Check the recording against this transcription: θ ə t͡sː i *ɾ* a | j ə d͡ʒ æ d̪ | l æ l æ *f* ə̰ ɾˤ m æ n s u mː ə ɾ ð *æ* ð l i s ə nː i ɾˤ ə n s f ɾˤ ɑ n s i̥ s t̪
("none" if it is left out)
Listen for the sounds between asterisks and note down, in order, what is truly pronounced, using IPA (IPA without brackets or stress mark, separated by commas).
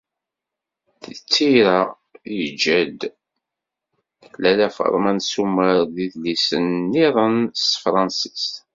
ɾ, f, i